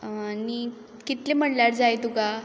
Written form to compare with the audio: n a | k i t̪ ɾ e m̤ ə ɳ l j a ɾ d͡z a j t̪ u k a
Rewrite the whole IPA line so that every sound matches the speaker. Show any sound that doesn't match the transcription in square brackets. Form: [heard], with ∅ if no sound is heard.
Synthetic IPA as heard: n [i] | k i t̪ [l] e m̤ ə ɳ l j a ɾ d͡z a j t̪ u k a